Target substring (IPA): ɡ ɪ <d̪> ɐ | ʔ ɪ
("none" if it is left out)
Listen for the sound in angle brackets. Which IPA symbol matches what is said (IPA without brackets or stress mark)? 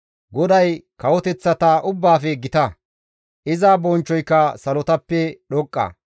t̪